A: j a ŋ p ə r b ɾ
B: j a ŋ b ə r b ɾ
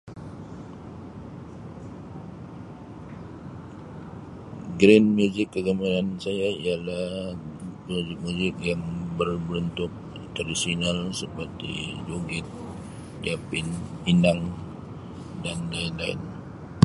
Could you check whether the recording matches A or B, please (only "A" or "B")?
B